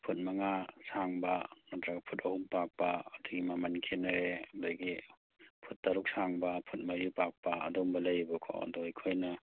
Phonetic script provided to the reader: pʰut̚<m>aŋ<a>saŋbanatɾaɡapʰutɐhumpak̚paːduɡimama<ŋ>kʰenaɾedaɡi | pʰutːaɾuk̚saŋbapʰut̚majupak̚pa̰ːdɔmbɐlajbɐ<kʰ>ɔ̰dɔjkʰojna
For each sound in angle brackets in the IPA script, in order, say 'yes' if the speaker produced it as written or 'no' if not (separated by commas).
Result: yes, yes, no, yes